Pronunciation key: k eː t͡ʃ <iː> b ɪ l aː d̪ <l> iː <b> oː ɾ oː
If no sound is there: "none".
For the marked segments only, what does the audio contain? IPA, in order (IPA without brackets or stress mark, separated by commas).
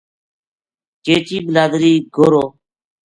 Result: iː, ɾ, ɡ